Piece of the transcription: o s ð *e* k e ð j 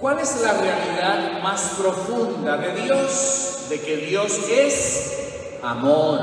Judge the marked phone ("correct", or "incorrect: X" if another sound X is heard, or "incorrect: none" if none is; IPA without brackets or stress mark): correct